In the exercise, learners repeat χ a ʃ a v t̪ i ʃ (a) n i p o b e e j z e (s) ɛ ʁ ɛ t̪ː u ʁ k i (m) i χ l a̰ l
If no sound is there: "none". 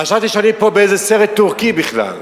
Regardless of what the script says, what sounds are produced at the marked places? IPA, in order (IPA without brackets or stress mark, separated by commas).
a, s, b